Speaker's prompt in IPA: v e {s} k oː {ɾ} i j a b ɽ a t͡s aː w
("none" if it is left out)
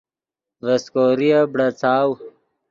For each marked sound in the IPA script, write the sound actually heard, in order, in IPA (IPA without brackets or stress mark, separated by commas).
s, ɾ